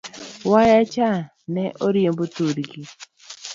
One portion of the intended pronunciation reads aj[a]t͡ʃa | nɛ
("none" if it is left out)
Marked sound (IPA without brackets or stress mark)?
a